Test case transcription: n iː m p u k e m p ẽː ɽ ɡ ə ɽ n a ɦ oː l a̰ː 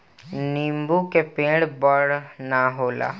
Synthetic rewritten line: n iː m b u k e p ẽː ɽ b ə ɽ n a ɦ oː l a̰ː